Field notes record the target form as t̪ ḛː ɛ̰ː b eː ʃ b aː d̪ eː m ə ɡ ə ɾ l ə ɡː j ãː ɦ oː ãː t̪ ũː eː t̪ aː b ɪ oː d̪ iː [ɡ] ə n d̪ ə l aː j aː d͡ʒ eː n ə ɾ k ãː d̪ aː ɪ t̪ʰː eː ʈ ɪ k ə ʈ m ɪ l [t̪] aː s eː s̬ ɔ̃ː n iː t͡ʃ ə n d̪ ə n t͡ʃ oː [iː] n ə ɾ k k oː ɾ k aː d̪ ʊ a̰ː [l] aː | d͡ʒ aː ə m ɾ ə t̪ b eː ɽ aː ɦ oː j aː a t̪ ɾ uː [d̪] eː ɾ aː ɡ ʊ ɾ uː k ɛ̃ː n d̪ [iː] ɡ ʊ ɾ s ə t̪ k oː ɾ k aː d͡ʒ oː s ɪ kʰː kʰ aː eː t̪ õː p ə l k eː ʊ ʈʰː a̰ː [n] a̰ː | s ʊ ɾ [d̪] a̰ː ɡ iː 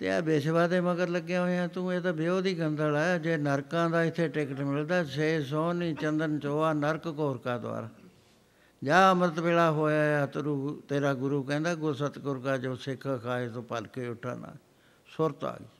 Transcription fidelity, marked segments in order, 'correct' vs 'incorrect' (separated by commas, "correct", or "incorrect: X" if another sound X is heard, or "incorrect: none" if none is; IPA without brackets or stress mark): correct, incorrect: d̪, incorrect: aː, incorrect: ɾ, incorrect: t̪, incorrect: aː, correct, incorrect: t̪